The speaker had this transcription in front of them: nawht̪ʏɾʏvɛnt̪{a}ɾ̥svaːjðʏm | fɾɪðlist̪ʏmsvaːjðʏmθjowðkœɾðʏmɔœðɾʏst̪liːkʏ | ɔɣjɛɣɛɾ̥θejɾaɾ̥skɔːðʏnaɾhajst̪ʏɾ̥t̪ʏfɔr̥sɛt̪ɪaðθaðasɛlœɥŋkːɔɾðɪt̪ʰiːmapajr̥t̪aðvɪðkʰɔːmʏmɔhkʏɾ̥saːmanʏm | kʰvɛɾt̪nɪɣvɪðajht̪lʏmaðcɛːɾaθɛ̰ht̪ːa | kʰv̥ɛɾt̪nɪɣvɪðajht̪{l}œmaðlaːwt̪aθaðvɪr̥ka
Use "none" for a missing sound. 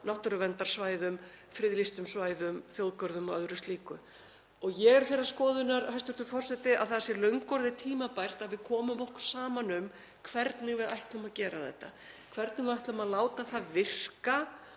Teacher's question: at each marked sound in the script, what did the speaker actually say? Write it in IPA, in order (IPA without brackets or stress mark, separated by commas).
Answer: a, l